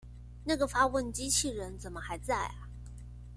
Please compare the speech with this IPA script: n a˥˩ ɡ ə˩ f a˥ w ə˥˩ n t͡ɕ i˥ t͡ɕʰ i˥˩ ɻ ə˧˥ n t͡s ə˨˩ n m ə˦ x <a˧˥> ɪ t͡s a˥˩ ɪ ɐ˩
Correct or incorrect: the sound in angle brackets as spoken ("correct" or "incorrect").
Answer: correct